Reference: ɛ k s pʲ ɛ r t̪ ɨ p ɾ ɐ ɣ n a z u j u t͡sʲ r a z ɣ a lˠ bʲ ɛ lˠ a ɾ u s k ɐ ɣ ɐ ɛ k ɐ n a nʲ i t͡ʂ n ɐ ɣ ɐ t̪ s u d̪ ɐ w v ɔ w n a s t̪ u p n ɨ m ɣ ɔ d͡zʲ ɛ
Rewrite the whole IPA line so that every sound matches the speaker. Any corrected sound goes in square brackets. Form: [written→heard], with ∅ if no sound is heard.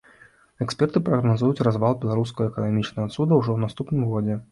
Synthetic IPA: ɛ k s pʲ ɛ r t̪ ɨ p ɾ ɐ ɣ n a z u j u t͡sʲ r a z [ɣ→v] a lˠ bʲ ɛ lˠ a ɾ u s k ɐ ɣ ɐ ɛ k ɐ n a [nʲ→mʲ] i t͡ʂ n ɐ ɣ ɐ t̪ s u d̪ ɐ w [v→ʐ] ɔ w n a s t̪ u p n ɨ m ɣ ɔ d͡zʲ ɛ